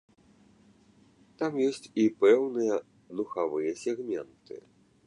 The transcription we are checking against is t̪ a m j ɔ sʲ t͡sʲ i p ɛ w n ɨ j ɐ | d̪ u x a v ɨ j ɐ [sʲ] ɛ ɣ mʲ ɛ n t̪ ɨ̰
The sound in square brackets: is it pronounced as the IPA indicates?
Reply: yes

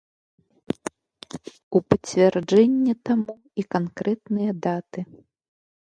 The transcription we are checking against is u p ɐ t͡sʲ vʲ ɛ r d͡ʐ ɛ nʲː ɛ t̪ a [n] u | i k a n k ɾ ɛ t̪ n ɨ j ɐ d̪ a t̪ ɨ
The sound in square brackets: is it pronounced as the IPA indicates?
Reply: no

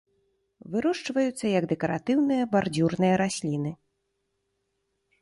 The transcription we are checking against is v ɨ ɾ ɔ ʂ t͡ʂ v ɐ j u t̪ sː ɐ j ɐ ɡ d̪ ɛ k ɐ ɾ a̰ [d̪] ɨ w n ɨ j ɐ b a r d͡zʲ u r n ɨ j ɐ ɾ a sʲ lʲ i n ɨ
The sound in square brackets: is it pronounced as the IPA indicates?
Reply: no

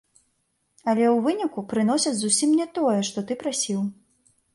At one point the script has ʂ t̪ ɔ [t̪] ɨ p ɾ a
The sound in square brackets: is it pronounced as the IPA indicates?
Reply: yes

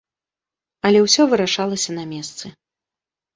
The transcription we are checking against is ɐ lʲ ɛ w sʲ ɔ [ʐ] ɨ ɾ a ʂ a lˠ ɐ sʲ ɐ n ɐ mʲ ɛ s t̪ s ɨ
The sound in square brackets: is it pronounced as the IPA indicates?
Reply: no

